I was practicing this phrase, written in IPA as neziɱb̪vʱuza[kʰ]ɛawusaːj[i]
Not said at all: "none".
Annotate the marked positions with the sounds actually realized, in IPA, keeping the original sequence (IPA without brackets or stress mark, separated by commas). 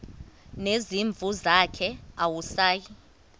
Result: kʰ, i